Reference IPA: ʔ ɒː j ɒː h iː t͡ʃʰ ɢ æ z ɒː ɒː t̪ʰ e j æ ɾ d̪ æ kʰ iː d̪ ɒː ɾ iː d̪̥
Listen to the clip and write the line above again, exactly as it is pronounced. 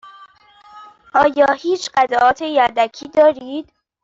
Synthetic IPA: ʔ ɒː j ɒː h iː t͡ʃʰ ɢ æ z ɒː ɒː t̪ʰ e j æ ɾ d̪ æ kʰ iː d̪ ɒː ɾ iː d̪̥